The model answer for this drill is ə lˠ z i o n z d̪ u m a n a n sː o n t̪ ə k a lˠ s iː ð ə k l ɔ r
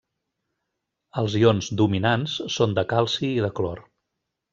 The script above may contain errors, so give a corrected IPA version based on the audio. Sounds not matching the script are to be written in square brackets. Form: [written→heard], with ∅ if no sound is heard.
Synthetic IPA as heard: ə lˠ z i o n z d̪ u m [a→i] n a n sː o n [t̪→d̪] ə k a lˠ s iː ð ə k l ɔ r